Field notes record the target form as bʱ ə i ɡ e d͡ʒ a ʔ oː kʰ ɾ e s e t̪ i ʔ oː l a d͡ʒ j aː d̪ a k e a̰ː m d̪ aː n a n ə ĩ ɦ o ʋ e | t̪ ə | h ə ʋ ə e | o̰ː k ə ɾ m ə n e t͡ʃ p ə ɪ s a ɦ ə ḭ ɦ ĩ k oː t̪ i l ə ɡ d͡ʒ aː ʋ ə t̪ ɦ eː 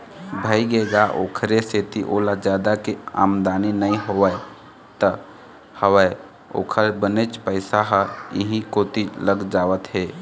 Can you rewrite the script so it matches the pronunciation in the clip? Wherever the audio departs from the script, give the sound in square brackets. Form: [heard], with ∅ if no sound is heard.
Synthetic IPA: bʱ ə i ɡ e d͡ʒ a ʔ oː kʰ ɾ e s e t̪ i ʔ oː l a d͡ʒ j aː d̪ a k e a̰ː m d̪ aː n [i] n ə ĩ ɦ o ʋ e | t̪ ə | h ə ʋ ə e | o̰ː [kʰ] ə ɾ [b] ə n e t͡ʃ p ə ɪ s a ɦ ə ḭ ɦ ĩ k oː t̪ i l ə ɡ d͡ʒ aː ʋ ə t̪ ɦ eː